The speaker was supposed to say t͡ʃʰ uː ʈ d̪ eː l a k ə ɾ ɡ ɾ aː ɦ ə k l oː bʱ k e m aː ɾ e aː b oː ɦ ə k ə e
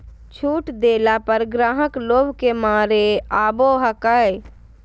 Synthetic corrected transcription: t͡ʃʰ uː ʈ d̪ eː l a p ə ɾ ɡ ɾ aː ɦ ə k l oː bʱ k e m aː ɾ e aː b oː ɦ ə k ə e